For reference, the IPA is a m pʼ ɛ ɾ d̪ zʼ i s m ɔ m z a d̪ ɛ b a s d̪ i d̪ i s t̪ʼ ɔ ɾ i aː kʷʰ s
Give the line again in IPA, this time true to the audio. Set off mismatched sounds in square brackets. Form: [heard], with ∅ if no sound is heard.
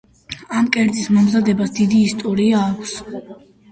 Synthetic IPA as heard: a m [kʼ] ɛ ɾ d̪ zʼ i s m ɔ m z a d̪ ɛ b a s d̪ i d̪ [iː] s t̪ʼ ɔ ɾ i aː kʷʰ s